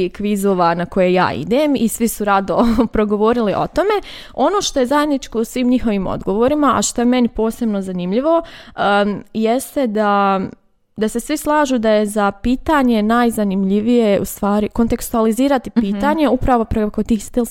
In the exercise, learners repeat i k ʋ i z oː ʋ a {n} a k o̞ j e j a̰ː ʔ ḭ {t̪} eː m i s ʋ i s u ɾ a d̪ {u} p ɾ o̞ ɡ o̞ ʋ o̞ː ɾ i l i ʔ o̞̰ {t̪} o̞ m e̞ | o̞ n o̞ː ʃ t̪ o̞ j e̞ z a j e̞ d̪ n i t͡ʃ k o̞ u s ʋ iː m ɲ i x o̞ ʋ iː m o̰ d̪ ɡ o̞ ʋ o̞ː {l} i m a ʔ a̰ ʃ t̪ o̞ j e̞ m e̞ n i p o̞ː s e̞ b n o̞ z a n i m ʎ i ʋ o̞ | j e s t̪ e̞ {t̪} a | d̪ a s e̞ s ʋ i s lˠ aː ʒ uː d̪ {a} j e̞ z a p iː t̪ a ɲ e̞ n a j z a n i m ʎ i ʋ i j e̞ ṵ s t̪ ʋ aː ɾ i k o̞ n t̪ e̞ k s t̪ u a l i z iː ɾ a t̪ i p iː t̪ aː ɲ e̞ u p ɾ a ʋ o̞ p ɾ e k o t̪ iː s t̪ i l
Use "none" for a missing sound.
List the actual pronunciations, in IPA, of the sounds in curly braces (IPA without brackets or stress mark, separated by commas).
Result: n, d̪, o, t̪, ɾ, d̪, a